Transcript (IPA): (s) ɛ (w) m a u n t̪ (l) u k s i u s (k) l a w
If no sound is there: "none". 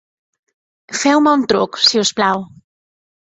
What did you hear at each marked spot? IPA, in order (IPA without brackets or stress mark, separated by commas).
f, w, ɾ, p